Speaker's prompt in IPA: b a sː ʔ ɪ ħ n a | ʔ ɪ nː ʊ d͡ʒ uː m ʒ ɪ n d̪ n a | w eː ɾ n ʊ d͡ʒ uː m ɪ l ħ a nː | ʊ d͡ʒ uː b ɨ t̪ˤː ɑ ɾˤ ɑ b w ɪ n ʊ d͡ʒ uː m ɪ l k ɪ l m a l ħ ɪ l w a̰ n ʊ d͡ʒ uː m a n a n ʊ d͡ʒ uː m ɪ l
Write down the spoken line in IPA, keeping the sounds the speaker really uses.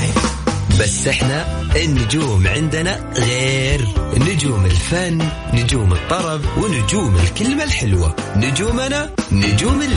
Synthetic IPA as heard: b a sː ʔ ɪ ħ n a | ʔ ɪ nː ʊ d͡ʒ uː m ʕ ɪ n d̪ n a | ɣ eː ɾ n ʊ d͡ʒ uː m ɪ l f a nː | ʊ d͡ʒ uː m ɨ t̪ˤː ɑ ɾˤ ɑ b w ɪ n ʊ d͡ʒ uː m ɪ l k ɪ l m a l ħ ɪ l w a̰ n ʊ d͡ʒ uː m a n a n ʊ d͡ʒ uː m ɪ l